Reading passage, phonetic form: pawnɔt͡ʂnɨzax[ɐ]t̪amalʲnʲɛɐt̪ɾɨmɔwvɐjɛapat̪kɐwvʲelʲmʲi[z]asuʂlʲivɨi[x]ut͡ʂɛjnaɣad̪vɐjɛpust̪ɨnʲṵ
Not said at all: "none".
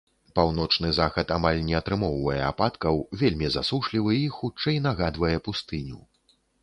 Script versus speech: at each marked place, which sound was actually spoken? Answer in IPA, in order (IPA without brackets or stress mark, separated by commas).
ɐ, z, x